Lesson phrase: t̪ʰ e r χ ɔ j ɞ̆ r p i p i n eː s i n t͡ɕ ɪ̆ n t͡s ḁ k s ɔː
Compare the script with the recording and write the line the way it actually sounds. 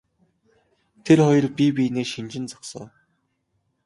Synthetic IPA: t̪ʰ e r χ ɔ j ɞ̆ r p i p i n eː ʃ i n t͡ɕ ɪ̆ n t͡s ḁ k s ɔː

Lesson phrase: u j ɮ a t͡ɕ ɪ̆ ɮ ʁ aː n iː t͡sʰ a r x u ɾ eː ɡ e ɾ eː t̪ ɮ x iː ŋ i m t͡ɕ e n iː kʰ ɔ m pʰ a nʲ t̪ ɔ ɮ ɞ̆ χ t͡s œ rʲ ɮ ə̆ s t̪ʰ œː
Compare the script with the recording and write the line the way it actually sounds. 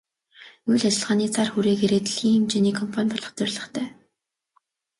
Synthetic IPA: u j ɮ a t͡ɕ ɪ̆ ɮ ʁ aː n iː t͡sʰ a r x u ɾ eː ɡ e ɾ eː t̪ ɮ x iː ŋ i m t͡ɕ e n iː kʰ ɔ m pʰ a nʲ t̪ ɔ ɮ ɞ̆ χ t͡s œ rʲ ɮ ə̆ χ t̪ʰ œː

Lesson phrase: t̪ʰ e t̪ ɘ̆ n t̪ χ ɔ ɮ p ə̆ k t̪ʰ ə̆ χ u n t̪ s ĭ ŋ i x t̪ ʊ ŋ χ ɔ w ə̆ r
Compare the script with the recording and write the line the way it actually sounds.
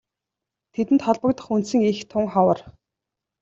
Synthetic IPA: t̪ʰ e t̪ ɘ̆ n t̪ χ ɔ ɮ p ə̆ k t̪ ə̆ χ u n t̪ s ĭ ŋ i x t̪ʰ ʊ ŋ χ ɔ w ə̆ r

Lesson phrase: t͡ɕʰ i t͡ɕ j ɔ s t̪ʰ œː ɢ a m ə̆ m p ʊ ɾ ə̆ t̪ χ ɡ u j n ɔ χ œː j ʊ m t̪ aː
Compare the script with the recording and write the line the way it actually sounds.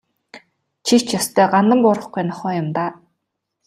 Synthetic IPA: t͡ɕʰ i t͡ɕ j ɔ s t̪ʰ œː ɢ a n ə̆ m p ʊ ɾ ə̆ χ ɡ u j n ɔ χ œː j ʊ m t̪ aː

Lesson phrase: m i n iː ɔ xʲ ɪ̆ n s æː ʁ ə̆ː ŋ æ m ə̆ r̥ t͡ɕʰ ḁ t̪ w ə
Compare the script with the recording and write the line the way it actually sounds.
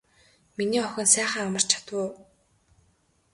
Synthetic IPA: m i n iː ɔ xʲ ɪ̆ n s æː χ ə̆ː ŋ a m ə̆ r̥ t͡ɕʰ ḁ t̪ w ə

